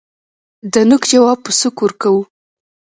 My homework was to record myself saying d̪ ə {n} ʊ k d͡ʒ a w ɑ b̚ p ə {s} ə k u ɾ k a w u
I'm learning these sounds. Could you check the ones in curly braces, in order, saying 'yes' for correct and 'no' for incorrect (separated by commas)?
yes, yes